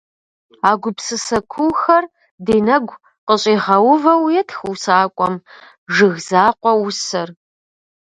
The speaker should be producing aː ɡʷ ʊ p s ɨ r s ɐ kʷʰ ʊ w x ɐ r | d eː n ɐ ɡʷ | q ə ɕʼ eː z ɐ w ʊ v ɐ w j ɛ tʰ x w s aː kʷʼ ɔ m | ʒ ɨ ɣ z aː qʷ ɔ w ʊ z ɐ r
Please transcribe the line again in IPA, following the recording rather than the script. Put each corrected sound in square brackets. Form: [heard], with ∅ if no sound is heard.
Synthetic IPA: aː ɡʷ ʊ p s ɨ [∅] s ɐ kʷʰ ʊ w x ɐ r | d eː n ɐ ɡʷ | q ə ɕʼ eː [ʁ] ɐ w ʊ v ɐ w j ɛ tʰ x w s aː kʷʼ ɔ m | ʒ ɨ ɣ z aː qʷ ɔ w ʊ [s] ɐ r